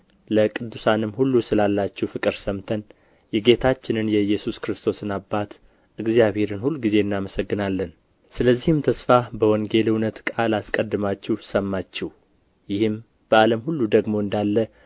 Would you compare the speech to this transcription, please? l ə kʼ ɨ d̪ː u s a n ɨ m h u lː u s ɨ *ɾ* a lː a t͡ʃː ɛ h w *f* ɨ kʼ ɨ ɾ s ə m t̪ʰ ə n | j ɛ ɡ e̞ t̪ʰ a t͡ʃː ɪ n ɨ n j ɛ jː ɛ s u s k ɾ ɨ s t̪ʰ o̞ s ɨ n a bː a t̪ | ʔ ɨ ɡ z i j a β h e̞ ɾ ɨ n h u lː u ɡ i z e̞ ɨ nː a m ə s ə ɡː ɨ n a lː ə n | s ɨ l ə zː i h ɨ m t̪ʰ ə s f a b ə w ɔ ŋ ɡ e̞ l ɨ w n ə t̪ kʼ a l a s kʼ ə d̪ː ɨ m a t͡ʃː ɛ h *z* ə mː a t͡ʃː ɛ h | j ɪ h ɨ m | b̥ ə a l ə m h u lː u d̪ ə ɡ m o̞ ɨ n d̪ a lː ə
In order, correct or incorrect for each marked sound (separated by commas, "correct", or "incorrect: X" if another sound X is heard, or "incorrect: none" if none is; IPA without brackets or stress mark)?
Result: incorrect: l, correct, incorrect: s